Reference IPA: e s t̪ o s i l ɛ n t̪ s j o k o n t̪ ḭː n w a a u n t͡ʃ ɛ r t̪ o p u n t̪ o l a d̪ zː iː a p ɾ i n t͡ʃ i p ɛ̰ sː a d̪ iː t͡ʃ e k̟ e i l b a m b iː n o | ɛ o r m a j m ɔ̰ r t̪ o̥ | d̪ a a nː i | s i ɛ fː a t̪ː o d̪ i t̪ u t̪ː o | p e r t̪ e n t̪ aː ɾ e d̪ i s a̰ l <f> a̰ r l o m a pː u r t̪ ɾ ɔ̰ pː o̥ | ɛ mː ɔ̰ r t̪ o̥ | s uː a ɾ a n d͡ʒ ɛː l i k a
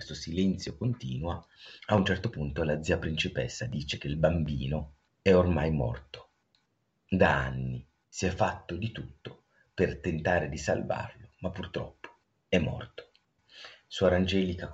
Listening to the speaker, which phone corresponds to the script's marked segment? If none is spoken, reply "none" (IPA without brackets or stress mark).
v